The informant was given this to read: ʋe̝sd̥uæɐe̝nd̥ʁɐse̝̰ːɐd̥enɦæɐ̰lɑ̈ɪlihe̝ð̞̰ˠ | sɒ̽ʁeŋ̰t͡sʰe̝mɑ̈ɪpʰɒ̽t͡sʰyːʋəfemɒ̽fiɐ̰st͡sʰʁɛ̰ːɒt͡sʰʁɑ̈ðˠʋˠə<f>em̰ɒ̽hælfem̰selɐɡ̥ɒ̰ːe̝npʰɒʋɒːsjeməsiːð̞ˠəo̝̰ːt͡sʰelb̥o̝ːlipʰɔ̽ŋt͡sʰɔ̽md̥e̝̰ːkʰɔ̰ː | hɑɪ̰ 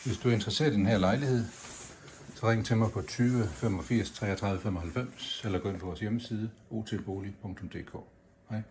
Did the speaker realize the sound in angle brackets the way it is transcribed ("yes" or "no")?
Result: yes